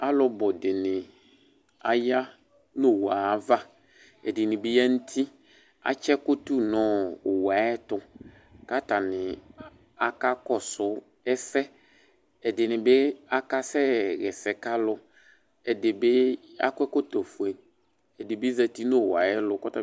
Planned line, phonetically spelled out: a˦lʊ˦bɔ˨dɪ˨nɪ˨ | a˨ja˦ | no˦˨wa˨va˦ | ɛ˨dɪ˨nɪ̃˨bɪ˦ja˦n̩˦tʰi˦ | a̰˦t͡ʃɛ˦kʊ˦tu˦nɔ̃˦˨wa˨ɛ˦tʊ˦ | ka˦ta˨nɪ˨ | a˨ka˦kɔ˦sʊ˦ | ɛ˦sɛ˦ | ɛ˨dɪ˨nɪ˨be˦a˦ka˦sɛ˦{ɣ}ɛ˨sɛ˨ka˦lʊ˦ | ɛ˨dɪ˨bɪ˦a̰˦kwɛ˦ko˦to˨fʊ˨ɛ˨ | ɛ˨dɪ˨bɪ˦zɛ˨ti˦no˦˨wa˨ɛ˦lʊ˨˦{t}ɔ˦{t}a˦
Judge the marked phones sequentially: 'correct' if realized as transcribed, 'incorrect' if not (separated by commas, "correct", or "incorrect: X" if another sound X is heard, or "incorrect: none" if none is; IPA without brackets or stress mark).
correct, incorrect: k, correct